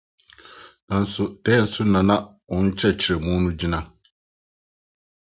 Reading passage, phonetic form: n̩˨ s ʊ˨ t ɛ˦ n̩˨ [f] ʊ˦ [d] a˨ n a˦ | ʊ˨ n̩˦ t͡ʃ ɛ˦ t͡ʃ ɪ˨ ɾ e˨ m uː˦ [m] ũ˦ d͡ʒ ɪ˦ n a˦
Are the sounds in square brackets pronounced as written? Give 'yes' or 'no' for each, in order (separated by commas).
no, no, no